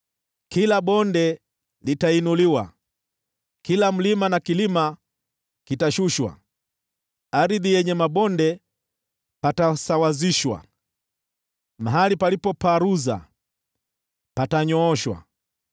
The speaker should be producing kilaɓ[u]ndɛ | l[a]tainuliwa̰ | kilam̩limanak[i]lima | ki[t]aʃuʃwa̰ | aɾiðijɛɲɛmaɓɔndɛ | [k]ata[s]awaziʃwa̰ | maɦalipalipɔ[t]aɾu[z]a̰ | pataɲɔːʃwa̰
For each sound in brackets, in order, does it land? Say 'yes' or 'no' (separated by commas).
no, no, yes, yes, no, yes, no, yes